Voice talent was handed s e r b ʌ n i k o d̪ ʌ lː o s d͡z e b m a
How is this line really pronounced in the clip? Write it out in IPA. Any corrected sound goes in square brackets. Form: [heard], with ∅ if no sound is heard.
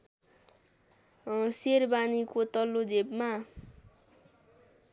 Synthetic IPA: s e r b [a] n i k o [t̪] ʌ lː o [∅] d͡z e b m a